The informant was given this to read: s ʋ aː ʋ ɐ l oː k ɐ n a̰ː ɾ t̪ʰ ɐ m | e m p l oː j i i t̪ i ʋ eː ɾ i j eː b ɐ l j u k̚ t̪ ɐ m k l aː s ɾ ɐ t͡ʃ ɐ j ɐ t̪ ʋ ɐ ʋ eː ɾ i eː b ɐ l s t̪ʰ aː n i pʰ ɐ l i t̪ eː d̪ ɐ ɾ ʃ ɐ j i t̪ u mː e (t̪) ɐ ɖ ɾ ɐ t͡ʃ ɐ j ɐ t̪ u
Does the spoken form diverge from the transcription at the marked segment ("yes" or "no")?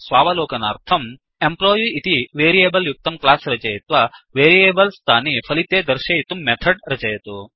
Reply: yes